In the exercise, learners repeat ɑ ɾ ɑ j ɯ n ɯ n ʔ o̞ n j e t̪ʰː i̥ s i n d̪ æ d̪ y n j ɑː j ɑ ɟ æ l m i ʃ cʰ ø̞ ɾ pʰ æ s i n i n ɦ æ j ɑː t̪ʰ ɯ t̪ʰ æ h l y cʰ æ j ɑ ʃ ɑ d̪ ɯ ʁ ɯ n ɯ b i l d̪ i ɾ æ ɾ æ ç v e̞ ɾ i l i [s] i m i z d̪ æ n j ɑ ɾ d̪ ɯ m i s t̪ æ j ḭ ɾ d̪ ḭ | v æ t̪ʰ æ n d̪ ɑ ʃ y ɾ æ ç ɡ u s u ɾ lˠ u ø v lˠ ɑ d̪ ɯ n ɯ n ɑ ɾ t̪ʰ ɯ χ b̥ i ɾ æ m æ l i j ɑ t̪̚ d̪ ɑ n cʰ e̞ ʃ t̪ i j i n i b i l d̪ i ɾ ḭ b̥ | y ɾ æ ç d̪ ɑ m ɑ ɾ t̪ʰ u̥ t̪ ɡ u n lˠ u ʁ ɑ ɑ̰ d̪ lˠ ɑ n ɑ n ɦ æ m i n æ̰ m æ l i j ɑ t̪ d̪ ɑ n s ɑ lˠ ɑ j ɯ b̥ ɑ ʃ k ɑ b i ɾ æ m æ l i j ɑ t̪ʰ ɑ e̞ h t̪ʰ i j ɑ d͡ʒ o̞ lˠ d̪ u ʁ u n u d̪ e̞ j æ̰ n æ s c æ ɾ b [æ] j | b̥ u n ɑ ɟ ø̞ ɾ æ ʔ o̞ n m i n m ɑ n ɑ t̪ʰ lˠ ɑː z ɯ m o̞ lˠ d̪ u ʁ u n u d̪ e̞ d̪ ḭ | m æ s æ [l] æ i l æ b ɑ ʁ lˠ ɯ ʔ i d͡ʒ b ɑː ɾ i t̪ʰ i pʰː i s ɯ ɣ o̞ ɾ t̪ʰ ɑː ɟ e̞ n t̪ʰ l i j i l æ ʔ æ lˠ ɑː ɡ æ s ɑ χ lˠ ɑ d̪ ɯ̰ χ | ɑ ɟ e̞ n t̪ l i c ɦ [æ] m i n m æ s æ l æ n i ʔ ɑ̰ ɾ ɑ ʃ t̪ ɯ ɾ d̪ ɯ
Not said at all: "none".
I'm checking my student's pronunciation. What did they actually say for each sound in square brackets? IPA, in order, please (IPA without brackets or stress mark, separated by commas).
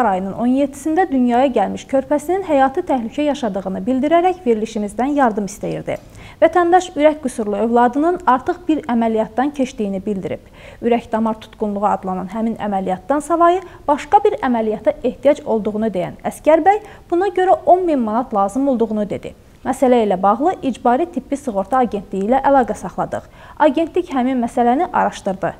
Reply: ʃ, æ, l, æ